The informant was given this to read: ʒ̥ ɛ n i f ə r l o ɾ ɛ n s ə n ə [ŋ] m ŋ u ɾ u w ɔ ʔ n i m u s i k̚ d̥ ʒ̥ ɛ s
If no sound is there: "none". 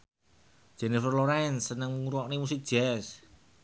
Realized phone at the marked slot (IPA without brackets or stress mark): ŋ